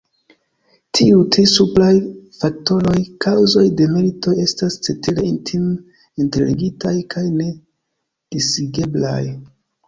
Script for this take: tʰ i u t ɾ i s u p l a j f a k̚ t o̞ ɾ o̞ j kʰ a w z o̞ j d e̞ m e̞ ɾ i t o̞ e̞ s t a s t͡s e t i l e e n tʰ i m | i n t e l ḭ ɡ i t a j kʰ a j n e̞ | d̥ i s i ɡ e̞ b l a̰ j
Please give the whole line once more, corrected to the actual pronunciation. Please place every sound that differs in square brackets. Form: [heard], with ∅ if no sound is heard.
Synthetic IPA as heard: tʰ i u t ɾ i s u p l a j f a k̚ t o̞ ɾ o̞ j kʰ a w z o̞ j d e̞ m e̞ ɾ i t o̞ e̞ s t a s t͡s e t i l e [i] n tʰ i m | i n t e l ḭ ɡ i t a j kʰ a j n e̞ | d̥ i s i ɡ e̞ b l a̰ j